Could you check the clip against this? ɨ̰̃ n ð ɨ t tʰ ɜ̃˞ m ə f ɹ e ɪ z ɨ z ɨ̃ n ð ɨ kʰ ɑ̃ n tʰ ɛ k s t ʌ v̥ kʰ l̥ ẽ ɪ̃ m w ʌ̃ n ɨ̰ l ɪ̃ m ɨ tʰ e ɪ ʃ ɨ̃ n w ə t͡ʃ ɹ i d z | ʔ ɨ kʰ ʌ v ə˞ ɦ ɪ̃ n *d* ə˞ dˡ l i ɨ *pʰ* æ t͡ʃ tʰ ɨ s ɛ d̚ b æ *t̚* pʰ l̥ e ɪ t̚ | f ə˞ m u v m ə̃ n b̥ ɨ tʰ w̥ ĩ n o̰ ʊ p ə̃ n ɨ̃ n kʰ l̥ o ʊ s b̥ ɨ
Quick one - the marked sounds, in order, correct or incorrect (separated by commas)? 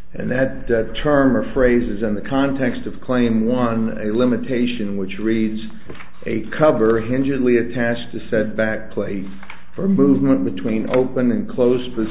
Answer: incorrect, incorrect, incorrect